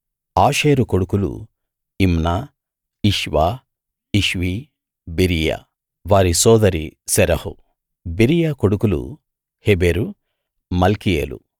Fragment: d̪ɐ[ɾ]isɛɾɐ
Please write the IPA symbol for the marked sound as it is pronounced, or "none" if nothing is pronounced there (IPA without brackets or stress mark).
ɾ